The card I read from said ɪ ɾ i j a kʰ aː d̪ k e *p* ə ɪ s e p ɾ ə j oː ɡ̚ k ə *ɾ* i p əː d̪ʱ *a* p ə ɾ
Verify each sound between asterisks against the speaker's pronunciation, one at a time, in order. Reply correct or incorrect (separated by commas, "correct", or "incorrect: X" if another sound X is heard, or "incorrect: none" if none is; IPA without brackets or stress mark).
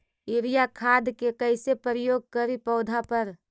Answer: incorrect: k, correct, correct